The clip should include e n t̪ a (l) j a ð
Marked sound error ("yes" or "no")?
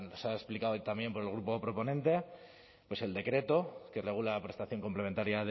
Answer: yes